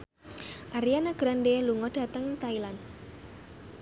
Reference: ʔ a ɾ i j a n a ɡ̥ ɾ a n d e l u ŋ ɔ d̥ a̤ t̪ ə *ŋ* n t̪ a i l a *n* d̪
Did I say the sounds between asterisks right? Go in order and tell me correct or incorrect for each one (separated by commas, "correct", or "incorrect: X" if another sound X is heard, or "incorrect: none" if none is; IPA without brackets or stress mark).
correct, correct